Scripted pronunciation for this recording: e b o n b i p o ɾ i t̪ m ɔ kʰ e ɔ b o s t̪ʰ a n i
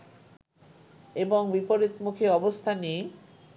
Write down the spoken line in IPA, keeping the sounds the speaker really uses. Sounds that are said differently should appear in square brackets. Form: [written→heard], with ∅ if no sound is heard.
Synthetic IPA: e b o [n→ŋ] b i p o ɾ i t̪ m [ɔ→u] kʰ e ɔ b o s t̪ʰ a n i